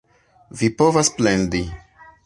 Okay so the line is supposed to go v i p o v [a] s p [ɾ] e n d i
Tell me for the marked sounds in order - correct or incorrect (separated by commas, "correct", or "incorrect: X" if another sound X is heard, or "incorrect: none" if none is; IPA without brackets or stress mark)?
correct, incorrect: l